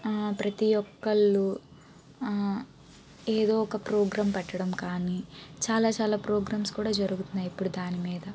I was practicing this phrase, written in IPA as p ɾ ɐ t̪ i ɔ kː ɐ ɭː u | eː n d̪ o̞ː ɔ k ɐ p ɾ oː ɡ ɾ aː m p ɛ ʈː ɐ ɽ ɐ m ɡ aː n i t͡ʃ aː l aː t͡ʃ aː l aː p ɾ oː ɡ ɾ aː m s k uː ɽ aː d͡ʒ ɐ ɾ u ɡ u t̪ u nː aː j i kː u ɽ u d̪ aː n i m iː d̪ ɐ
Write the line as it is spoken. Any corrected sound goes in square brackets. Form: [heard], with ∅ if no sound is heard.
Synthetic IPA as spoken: p ɾ ɐ t̪ i ɔ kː ɐ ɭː u | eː [∅] d̪ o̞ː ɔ k ɐ p ɾ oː ɡ ɾ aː m p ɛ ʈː ɐ ɽ ɐ m [k] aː n i t͡ʃ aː l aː t͡ʃ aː l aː p ɾ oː ɡ ɾ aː m s k uː ɽ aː d͡ʒ ɐ ɾ u ɡ u t̪ u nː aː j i [pː] u ɽ u d̪ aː n i m iː d̪ ɐ